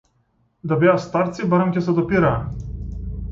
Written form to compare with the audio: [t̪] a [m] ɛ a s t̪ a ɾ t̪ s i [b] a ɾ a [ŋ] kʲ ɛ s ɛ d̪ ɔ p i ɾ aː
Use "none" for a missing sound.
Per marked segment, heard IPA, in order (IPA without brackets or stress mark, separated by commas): d̪, b, b, m